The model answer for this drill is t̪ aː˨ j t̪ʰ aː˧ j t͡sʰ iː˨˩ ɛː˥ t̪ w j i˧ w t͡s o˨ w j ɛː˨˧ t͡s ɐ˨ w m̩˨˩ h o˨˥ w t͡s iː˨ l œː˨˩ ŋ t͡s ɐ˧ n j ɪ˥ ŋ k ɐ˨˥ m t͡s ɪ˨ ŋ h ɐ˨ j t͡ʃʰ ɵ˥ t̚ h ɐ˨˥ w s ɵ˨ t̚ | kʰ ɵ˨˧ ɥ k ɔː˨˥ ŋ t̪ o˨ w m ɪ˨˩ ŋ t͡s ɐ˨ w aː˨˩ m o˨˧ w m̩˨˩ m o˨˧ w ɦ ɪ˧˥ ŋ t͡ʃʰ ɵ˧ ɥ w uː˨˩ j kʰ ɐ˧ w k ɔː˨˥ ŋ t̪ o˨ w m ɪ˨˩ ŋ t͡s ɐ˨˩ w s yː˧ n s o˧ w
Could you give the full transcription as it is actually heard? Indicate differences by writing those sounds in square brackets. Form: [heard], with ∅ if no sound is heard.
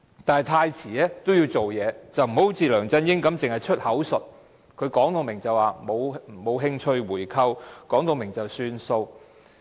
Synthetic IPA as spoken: t̪ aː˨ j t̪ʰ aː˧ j t͡sʰ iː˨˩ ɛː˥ t̪ w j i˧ w t͡s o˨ w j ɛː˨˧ t͡s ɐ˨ w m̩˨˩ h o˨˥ w t͡s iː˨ l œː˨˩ ŋ t͡s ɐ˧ n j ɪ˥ ŋ k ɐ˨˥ m t͡s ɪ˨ ŋ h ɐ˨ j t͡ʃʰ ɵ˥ t̚ h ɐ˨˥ w s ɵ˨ t̚ | kʰ ɵ˨˧ ɥ k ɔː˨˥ ŋ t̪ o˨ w m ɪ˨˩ ŋ t͡s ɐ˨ w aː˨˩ m o˨˧ w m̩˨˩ m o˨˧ w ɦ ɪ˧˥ ŋ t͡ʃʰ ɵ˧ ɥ w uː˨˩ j kʰ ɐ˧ w k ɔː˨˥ ŋ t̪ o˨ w m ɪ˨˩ ŋ t͡s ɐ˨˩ w s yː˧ n s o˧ w

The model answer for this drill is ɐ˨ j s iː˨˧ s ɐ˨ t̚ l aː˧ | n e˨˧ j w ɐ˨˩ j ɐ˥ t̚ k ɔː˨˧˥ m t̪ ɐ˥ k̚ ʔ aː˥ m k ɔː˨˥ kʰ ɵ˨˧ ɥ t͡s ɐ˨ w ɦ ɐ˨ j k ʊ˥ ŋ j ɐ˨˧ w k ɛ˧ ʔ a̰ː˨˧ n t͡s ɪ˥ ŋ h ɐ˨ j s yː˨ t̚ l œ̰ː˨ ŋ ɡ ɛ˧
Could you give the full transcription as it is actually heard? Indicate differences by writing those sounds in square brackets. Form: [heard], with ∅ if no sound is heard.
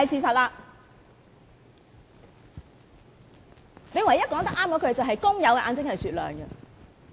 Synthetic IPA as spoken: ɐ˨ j s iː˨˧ s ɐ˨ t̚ l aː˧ | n e˨˧ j w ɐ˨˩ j ɐ˥ t̚ k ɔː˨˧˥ [ŋ] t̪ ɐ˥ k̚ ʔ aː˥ m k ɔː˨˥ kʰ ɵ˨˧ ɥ t͡s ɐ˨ w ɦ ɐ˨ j k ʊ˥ ŋ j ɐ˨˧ w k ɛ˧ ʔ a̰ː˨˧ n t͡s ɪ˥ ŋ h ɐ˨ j s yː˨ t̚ l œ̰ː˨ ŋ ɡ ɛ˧

